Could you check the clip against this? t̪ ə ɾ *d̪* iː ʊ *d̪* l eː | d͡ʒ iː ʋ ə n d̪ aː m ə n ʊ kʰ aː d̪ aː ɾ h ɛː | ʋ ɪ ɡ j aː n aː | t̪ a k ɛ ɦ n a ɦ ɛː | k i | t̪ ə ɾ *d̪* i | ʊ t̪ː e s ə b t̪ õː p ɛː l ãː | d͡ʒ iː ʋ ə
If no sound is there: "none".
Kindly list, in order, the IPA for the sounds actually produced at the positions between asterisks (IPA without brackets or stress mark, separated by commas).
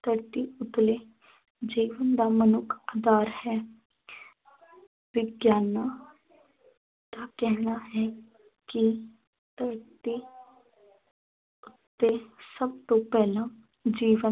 t̪, t̪, t̪